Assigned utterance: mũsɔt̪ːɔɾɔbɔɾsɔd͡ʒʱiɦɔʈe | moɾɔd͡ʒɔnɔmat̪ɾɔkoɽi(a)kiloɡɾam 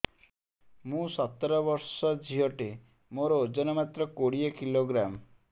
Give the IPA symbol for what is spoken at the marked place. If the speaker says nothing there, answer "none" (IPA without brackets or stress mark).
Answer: e